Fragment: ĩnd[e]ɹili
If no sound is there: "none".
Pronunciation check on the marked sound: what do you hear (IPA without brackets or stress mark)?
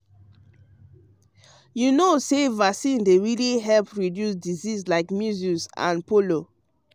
e